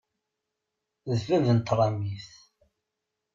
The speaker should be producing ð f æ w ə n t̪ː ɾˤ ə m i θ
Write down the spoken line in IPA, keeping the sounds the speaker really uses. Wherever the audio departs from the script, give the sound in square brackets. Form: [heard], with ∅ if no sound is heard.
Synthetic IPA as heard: ð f æ [v] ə n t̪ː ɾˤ [ɑ] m i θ